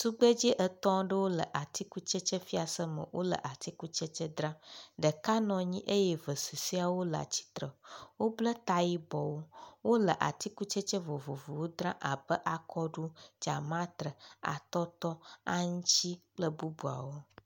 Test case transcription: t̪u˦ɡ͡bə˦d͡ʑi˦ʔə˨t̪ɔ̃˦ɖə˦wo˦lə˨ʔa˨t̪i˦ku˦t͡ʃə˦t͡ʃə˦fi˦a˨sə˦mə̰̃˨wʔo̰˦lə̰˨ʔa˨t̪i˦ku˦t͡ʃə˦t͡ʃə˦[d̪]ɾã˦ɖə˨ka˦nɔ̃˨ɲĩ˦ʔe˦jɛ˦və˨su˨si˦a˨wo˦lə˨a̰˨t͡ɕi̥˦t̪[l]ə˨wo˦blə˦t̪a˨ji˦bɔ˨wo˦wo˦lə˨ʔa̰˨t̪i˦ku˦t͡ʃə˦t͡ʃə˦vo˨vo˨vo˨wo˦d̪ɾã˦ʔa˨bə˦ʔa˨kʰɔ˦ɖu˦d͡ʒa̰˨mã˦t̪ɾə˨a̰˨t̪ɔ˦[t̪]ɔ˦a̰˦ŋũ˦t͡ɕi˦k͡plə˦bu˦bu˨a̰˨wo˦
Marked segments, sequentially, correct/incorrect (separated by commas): correct, incorrect, correct